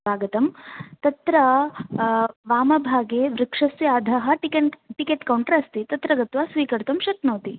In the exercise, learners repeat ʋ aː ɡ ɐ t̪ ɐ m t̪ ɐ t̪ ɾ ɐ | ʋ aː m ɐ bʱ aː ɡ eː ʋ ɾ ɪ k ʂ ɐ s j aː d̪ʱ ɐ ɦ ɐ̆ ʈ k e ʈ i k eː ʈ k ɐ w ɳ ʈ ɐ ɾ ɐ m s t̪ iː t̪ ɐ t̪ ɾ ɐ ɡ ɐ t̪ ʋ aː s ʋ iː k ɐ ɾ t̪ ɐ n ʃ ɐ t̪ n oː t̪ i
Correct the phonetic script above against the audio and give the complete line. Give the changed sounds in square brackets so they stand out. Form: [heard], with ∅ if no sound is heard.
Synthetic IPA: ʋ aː ɡ ɐ t̪ ɐ m t̪ ɐ t̪ ɾ ɐ | ʋ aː m ɐ bʱ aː ɡ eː ʋ ɾ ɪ k ʂ ɐ s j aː d̪ʱ ɐ ɦ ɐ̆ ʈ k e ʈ i k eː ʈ k ɐ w ɳ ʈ ɐ ɾ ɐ [∅] s t̪ [i] t̪ ɐ t̪ ɾ ɐ ɡ ɐ t̪ ʋ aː s ʋ iː k ɐ ɾ t̪ ɐ [m] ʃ ɐ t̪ n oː t̪ i

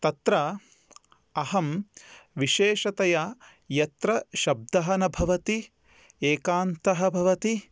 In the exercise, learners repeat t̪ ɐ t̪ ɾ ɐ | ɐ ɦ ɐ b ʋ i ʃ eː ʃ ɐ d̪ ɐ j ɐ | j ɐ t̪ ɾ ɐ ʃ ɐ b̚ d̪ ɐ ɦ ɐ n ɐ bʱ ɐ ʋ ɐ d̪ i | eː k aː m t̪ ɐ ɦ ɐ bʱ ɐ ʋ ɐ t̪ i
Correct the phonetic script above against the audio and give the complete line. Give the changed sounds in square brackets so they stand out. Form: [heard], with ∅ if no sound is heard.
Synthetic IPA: t̪ ɐ t̪ ɾ ɐ | ɐ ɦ ɐ [m] ʋ i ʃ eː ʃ ɐ [t̪] ɐ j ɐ | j ɐ t̪ ɾ ɐ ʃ ɐ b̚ d̪ ɐ ɦ ɐ n ɐ bʱ ɐ ʋ ɐ [t̪] i | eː k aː [n] t̪ ɐ ɦ ɐ bʱ ɐ ʋ ɐ t̪ i

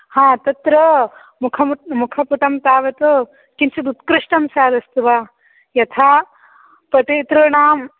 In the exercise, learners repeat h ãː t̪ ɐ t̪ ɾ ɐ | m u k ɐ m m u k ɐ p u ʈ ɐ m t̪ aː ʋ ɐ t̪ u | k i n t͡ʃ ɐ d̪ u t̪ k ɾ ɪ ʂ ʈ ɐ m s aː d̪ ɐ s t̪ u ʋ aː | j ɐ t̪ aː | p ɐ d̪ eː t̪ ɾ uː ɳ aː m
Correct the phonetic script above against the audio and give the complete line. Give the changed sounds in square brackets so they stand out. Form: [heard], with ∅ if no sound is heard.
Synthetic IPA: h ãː t̪ ɐ t̪ ɾ ɐ | m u [kʰ] ɐ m m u [kʰ] ɐ p u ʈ ɐ m t̪ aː ʋ ɐ t̪ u | k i n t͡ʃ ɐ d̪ u t̪ k ɾ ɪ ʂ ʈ ɐ m s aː d̪ ɐ s t̪ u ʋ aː | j ɐ [t̪ʰ] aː | p ɐ [t̪] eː t̪ ɾ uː ɳ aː m

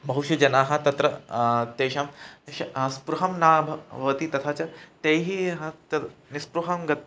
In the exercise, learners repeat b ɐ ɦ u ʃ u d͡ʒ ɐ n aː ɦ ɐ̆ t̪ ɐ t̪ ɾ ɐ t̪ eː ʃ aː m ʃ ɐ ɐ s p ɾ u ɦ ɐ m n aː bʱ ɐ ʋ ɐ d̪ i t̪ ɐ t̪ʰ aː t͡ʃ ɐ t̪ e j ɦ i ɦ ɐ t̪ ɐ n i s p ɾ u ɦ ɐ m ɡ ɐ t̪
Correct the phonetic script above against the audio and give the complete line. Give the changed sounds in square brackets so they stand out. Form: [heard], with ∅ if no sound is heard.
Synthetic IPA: b ɐ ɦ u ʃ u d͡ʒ ɐ n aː ɦ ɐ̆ t̪ ɐ t̪ ɾ ɐ t̪ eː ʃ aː m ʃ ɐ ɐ s p ɾ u ɦ ɐ m n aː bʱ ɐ ʋ ɐ [t̪] i t̪ ɐ t̪ʰ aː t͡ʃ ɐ t̪ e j ɦ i ɦ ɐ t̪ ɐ n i s p ɾ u ɦ ɐ m ɡ ɐ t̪

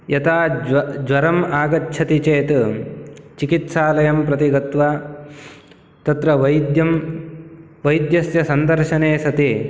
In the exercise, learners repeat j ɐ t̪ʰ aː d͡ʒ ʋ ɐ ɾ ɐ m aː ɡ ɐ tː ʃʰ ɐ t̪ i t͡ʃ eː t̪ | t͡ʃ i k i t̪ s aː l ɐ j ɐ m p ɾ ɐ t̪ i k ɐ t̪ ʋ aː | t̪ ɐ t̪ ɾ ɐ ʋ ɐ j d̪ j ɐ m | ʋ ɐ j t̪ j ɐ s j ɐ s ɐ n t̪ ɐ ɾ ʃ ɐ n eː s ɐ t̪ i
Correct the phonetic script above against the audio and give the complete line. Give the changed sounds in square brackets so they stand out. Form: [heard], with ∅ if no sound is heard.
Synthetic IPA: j ɐ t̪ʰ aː d͡ʒ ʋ ɐ ɾ ɐ m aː ɡ ɐ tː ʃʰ ɐ t̪ i t͡ʃ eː t̪ | t͡ʃ i k i t̪ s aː l ɐ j ɐ m p ɾ ɐ t̪ i [ɡ] ɐ t̪ ʋ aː | t̪ ɐ t̪ ɾ ɐ ʋ ɐ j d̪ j ɐ m | ʋ ɐ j [d̪] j ɐ s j ɐ s ɐ n [d̪] ɐ ɾ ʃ ɐ n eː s ɐ t̪ i

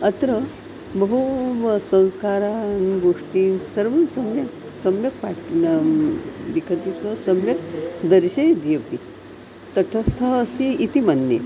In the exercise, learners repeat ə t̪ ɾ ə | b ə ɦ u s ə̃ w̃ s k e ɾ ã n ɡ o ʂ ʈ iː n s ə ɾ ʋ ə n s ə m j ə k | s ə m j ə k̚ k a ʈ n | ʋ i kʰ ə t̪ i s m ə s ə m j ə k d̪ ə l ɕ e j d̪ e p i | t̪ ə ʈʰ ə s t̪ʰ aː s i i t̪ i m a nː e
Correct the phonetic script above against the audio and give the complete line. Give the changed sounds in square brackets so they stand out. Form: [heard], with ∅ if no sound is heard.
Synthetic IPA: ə t̪ ɾ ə | b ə ɦ u s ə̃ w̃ s k [a] ɾ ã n ɡ o ʂ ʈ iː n s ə ɾ ʋ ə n s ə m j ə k | s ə m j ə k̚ [p] a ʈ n | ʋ i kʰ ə t̪ i s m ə s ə m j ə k d̪ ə [ɾ] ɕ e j d̪ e p i | t̪ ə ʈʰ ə s t̪ʰ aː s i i t̪ i m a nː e

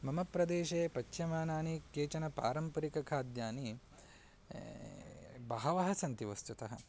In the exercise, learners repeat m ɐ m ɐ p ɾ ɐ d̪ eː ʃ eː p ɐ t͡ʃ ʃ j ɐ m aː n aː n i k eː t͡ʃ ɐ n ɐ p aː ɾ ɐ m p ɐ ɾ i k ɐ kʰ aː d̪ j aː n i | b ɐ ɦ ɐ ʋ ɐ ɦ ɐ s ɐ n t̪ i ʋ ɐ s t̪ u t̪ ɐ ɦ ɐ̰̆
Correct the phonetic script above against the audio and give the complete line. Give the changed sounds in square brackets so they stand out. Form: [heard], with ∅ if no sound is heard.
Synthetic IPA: m ɐ m ɐ p ɾ ɐ d̪ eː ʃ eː p ɐ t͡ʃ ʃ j ɐ m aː n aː n i k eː t͡ʃ ɐ n ɐ p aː ɾ ɐ m p ɐ ɾ i k ɐ kʰ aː d̪ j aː n i | b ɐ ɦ ɐ ʋ ɐ ɦ ɐ s ɐ n t̪ i ʋ ɐ s t̪ u t̪ ɐ ɦ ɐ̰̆

